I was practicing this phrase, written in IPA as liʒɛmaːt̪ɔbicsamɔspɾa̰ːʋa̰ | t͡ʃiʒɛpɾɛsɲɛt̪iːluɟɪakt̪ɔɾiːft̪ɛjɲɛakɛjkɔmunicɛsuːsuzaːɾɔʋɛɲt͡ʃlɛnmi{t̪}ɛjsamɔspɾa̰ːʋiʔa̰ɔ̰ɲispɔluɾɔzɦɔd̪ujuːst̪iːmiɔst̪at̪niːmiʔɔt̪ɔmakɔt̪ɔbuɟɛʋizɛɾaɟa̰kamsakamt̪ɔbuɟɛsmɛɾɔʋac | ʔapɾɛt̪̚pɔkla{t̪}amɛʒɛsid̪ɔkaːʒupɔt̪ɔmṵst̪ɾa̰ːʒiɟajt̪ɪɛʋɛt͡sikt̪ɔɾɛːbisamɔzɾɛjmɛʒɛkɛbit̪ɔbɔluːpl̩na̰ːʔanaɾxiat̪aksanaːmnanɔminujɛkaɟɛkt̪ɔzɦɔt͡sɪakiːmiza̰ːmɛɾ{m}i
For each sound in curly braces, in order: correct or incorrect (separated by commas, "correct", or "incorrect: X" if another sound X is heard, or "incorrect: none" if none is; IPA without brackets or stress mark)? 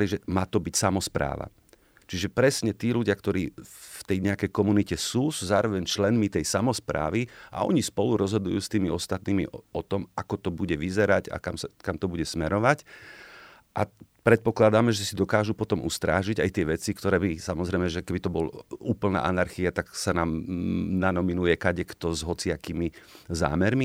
correct, incorrect: d̪, correct